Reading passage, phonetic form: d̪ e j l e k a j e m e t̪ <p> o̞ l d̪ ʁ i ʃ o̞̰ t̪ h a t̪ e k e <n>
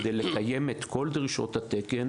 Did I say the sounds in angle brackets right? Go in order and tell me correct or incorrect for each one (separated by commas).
incorrect, correct